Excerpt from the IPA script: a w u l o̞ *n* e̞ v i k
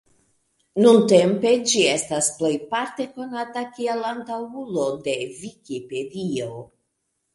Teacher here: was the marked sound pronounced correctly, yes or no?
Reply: no